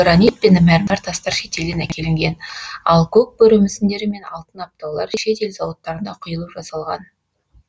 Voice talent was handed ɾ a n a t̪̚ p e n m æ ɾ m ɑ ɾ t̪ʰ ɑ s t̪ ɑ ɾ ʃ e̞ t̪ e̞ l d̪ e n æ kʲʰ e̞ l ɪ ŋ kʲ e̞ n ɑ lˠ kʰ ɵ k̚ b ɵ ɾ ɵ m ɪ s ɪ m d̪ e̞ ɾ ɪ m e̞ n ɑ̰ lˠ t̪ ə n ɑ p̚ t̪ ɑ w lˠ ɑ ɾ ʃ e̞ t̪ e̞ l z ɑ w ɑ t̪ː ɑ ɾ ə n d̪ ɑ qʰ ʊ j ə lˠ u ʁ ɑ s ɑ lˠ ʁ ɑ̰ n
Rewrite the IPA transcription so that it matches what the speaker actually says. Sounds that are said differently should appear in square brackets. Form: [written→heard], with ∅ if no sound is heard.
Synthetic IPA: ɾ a n [a→i] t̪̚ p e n m æ ɾ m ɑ ɾ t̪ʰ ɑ s t̪ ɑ ɾ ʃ e̞ t̪ e̞ l d̪ e n æ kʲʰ e̞ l ɪ ŋ [kʲ→ɡʲ] e̞ n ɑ lˠ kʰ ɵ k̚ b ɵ ɾ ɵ m ɪ s ɪ [m→n] d̪ e̞ ɾ ɪ m e̞ n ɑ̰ lˠ t̪ ə n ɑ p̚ t̪ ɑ w lˠ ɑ ɾ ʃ e̞ t̪ e̞ l z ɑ w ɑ t̪ː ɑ ɾ ə n d̪ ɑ qʰ ʊ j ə lˠ u [ʁ→ʒ] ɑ s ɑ lˠ ʁ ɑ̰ n